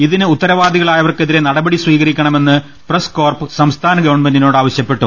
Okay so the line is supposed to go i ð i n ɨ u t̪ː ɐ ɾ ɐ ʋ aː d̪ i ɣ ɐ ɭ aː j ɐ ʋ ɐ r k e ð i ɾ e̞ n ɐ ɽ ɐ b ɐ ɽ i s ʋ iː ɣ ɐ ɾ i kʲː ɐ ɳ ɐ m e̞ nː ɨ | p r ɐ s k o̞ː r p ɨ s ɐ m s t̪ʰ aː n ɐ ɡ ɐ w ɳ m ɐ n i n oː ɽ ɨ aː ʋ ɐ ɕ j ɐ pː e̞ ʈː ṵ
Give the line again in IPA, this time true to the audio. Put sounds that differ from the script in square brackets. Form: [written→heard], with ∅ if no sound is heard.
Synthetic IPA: i ð i n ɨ u t̪ː ɐ ɾ ɐ ʋ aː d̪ i ɣ ɐ ɭ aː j ɐ ʋ ɐ r k e ð i ɾ e̞ n ɐ ɽ ɐ b ɐ ɽ i s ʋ iː ɣ ɐ ɾ i kʲː ɐ ɳ ɐ m e̞ nː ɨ | p r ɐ s k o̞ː r p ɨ s ɐ m s t̪ʰ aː n ɐ ɡ ɐ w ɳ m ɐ n i n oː ɽ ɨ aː ʋ ɐ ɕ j ɐ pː e̞ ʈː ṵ